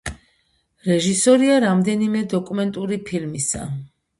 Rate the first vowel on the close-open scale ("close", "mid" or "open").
mid